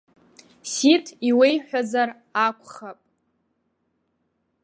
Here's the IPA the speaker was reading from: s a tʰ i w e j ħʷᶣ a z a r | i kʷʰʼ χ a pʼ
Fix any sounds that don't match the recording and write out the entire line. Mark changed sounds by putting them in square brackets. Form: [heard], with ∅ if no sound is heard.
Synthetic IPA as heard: s [i] tʰ i w e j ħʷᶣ a z a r | [a] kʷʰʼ χ a pʼ